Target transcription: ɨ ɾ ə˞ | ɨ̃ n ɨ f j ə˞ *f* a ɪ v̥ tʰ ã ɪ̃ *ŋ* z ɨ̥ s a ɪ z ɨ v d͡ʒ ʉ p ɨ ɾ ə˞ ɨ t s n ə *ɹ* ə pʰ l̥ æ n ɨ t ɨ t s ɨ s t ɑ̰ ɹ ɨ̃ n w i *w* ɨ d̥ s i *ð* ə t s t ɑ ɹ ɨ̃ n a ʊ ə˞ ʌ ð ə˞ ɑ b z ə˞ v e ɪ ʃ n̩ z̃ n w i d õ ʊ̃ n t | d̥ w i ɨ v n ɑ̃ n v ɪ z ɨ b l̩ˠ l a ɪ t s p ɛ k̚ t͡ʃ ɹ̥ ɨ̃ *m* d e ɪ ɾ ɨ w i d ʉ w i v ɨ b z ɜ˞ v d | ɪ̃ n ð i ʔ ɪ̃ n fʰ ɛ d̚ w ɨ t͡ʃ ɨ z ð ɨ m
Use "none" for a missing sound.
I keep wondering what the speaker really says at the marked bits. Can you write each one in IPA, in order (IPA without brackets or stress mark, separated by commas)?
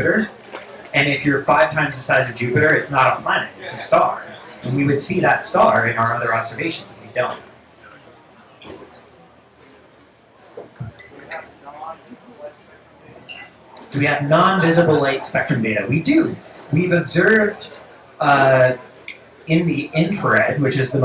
f, m, ɾ, w, ð, m